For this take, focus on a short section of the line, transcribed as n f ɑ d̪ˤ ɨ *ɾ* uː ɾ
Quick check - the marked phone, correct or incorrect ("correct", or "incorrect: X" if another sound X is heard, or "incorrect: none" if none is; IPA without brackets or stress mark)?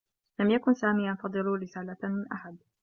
incorrect: l